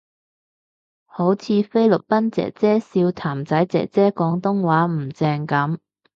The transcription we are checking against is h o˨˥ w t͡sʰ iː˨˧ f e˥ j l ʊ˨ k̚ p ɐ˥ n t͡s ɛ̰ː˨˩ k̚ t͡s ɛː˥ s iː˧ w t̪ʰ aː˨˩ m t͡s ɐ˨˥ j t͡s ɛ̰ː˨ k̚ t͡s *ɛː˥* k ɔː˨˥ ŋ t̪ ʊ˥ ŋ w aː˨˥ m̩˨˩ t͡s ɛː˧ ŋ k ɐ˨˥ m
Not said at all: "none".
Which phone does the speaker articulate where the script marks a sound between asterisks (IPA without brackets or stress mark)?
ɛː˥